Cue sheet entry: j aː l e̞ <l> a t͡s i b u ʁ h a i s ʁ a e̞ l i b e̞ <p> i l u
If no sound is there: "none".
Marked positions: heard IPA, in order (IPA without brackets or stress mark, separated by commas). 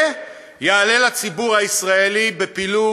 l, p